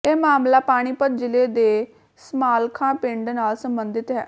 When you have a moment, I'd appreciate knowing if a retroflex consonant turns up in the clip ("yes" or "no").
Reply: yes